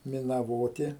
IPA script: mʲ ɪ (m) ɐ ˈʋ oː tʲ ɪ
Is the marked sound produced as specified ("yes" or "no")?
no